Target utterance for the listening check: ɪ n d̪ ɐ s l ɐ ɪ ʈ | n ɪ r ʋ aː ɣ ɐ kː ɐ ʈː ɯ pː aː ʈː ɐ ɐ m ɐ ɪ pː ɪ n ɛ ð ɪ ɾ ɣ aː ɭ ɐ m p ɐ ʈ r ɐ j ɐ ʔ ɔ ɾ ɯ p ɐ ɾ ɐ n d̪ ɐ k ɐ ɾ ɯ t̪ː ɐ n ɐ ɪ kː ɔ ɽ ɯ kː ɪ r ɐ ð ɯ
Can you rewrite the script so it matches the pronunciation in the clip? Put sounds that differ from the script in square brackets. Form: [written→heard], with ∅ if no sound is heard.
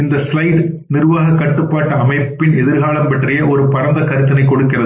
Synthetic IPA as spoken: ɪ n d̪ ɐ s l ɐ ɪ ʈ | n ɪ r ʋ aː ɣ ɐ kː ɐ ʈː ɯ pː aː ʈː ɐ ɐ m ɐ ɪ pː ɪ n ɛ ð ɪ ɾ ɣ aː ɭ ɐ m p ɐ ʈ r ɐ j ɐ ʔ ɔ ɾ ɯ p ɐ ɾ ɐ n d̪ ɐ k ɐ ɾ ɯ t̪ː ɐ n ɐ ɪ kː ɔ ɽ ɯ kː ɪ r ɐ ð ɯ

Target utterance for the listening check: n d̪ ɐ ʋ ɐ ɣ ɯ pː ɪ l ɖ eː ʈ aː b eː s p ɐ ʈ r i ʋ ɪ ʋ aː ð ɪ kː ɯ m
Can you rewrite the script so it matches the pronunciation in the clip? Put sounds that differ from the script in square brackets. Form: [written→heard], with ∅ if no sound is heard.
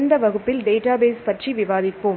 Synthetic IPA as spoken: n d̪ ɐ ʋ ɐ ɣ ɯ pː ɪ l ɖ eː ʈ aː b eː s p ɐ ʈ r i ʋ ɪ ʋ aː ð ɪ [kː→pː] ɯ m

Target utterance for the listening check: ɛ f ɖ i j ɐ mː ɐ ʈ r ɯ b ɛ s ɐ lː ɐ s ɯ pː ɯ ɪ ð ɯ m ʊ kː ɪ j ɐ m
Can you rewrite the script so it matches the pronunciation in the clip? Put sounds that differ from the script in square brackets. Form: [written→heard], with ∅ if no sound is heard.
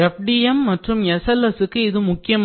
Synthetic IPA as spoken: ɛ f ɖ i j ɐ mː ɐ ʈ r ɯ [b→m] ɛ s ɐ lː ɐ s ɯ [pː→kː] ɯ ɪ ð ɯ m ʊ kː ɪ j ɐ m

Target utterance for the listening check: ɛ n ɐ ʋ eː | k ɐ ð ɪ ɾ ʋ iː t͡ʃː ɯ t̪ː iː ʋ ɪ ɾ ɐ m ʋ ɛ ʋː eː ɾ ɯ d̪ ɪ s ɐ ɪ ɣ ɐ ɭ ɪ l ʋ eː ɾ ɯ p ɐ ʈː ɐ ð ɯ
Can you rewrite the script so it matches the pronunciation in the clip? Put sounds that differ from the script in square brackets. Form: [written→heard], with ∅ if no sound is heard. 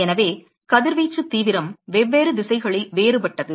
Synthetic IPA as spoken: ɛ n ɐ ʋ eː | k ɐ ð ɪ ɾ ʋ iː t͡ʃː ɯ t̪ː iː ʋ ɪ ɾ ɐ m ʋ ɛ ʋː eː ɾ ɯ d̪ ɪ s ɐ ɪ ɣ ɐ ɭ ɪ l ʋ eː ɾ ɯ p ɐ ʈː ɐ ð ɯ

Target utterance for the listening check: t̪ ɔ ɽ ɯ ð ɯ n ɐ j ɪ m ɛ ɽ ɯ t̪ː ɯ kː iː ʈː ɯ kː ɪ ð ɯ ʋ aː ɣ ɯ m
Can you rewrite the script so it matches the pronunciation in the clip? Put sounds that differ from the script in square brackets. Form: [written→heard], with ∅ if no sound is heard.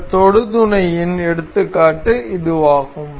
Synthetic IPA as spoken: t̪ ɔ ɽ ɯ ð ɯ n ɐ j ɪ [m→n] ɛ ɽ ɯ t̪ː ɯ kː [iː→aː] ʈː ɯ [kː→∅] ɪ ð ɯ ʋ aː ɣ ɯ m

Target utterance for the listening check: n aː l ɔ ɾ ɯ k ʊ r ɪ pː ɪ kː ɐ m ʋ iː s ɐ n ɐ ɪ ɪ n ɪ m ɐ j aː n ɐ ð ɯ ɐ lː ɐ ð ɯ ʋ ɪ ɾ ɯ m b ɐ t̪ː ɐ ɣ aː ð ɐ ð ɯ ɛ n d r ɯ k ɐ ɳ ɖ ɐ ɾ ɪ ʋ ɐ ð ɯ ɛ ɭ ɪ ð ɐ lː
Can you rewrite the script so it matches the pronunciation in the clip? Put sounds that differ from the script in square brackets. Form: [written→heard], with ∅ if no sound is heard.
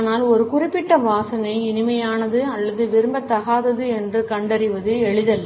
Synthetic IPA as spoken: n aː l ɔ ɾ ɯ k ʊ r ɪ pː ɪ [kː→ʈː] ɐ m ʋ [iː→aː] s ɐ n ɐ ɪ ɪ n ɪ m ɐ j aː n ɐ ð ɯ ɐ lː ɐ ð ɯ ʋ ɪ ɾ ɯ m b ɐ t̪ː ɐ ɣ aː ð ɐ ð ɯ ɛ n d r ɯ k ɐ ɳ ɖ ɐ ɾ ɪ ʋ ɐ ð ɯ ɛ ɭ ɪ ð ɐ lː

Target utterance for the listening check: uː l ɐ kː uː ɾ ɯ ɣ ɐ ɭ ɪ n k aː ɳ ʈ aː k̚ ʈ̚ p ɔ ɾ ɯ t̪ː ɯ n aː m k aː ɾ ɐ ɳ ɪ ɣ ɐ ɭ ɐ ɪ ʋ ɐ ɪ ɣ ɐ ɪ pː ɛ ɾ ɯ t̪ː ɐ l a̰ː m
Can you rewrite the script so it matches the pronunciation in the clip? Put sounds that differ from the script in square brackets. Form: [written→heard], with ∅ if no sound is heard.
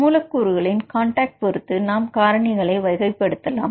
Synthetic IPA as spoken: uː l ɐ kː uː ɾ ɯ ɣ ɐ ɭ ɪ n k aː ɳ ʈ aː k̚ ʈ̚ p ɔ ɾ ɯ t̪ː ɯ n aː m k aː ɾ ɐ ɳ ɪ ɣ ɐ ɭ ɐ ɪ ʋ ɐ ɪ ɣ ɐ ɪ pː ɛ [ɾ→ɽ] ɯ t̪ː ɐ l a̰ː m

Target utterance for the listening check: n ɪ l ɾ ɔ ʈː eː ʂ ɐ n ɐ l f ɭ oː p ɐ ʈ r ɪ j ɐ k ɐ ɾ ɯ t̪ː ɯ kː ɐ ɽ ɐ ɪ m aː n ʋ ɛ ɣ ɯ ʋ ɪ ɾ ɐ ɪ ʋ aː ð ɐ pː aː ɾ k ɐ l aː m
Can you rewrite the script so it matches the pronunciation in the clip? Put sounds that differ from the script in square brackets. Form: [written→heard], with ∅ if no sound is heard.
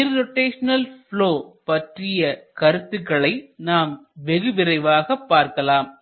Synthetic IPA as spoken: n ɪ [l→ɾ] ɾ ɔ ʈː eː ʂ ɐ n ɐ l f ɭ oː p ɐ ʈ r ɪ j ɐ k ɐ ɾ ɯ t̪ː ɯ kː ɐ [ɽ→ɭ] ɐ ɪ [m→n] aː [n→m] ʋ ɛ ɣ ɯ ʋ ɪ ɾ ɐ ɪ ʋ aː [ð→ɣ] ɐ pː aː ɾ k ɐ l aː m

